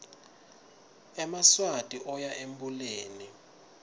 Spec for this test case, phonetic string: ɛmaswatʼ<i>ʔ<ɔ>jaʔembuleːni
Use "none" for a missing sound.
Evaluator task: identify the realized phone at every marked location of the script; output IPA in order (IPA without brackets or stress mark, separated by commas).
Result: i, ɔ